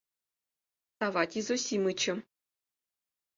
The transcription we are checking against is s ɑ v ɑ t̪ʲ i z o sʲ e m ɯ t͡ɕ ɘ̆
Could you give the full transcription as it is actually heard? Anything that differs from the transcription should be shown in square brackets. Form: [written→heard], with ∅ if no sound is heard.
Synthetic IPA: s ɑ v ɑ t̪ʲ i z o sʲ [e→i] m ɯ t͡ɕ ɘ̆